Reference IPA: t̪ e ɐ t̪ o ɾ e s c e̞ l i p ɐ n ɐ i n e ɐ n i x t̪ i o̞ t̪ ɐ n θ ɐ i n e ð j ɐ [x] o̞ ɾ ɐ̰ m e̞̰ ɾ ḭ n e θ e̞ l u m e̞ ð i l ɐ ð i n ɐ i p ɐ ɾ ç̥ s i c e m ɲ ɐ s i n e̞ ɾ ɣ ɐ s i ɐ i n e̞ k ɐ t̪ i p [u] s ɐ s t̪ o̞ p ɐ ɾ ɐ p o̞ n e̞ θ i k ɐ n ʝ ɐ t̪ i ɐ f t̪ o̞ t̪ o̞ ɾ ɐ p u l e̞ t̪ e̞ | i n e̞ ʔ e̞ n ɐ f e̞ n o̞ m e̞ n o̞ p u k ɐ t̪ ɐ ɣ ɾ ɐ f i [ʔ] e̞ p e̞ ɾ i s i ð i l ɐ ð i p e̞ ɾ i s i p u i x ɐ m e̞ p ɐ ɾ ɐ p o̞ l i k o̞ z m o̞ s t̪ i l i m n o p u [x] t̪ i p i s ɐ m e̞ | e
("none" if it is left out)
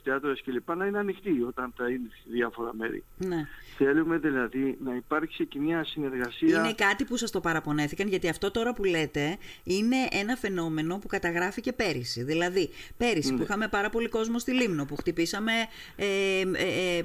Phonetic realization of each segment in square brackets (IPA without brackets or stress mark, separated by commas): f, u, c, x